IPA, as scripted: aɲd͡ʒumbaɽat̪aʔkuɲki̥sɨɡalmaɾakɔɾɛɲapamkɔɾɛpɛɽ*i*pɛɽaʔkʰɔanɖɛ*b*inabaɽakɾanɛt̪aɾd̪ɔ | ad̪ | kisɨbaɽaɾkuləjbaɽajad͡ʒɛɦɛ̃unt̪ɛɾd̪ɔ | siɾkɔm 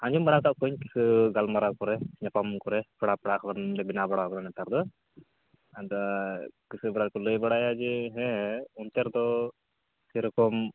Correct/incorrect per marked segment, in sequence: incorrect, correct

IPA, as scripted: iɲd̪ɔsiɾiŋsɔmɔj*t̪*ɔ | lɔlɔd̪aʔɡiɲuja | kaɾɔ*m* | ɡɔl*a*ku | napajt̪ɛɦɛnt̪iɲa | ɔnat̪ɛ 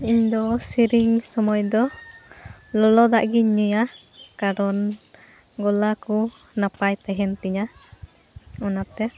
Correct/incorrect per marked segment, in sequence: incorrect, incorrect, correct

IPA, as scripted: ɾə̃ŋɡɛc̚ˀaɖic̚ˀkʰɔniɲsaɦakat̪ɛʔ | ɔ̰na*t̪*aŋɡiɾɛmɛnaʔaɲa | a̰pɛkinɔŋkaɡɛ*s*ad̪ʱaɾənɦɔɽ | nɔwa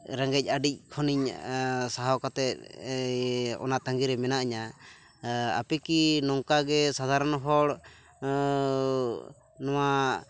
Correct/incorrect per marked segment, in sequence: correct, correct

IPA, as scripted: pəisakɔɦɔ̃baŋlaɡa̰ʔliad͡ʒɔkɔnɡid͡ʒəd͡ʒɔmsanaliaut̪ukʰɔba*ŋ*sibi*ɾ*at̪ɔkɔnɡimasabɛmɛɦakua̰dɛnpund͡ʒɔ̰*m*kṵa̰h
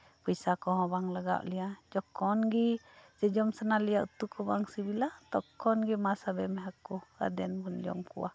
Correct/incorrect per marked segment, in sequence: correct, incorrect, correct

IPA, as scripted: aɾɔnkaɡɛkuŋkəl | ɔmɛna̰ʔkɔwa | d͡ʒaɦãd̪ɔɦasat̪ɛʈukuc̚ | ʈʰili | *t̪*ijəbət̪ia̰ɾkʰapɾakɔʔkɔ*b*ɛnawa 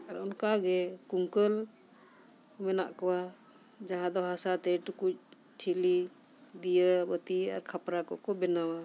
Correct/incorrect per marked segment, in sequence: incorrect, correct

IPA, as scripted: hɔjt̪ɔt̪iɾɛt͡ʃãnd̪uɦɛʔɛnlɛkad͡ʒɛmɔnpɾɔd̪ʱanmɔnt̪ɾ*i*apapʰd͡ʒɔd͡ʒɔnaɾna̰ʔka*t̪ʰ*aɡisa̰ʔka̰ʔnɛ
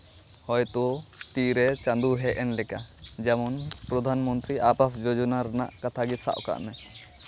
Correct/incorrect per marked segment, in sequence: correct, correct

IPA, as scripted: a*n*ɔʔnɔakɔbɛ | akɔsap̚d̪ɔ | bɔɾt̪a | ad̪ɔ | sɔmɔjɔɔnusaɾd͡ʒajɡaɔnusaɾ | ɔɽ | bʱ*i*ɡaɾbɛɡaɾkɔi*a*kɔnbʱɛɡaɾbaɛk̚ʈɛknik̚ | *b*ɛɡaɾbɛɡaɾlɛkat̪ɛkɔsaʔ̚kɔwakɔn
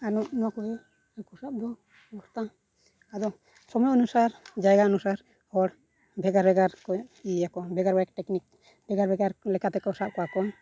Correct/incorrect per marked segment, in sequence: correct, incorrect, correct, correct

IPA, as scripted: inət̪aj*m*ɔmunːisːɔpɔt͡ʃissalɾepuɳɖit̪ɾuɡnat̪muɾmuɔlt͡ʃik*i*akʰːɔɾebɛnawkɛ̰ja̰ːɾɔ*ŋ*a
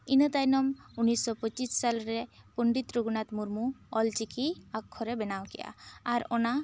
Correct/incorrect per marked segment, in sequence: incorrect, correct, incorrect

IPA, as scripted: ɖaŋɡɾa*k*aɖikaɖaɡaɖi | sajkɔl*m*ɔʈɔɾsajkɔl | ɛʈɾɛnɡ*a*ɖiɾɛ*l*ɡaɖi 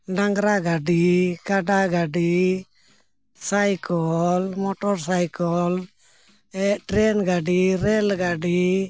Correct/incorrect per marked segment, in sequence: incorrect, correct, correct, correct

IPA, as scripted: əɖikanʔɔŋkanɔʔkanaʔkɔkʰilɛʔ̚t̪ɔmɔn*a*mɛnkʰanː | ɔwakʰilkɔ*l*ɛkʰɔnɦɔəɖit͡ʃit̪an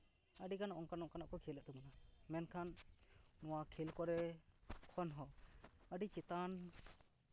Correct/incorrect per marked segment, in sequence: correct, incorrect

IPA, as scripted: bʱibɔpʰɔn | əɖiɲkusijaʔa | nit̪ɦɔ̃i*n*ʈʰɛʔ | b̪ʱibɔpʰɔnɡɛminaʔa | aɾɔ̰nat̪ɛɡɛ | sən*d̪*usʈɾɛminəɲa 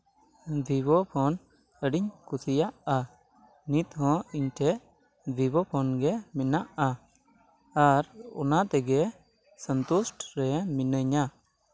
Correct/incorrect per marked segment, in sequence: incorrect, incorrect

